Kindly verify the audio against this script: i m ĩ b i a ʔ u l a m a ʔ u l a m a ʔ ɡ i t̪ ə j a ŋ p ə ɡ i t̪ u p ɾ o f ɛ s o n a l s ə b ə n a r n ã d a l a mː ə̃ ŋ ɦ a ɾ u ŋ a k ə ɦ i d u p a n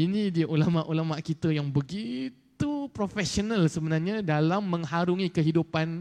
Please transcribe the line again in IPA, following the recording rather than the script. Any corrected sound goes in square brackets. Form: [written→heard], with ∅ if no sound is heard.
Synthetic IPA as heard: i [m→n] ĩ [b→d] i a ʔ u l a m a ʔ u l a m a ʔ [ɡ→k] i t̪ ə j a ŋ [p→b] ə ɡ i t̪ u p ɾ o f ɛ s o n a l s ə b ə n a r [n→ɲ] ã d a l a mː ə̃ ŋ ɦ a ɾ u ŋ [a→i] k ə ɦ i d u p a n